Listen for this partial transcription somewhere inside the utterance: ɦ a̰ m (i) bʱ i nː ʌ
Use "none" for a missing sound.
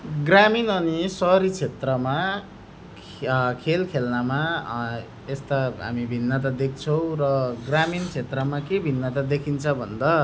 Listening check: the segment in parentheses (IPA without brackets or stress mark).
i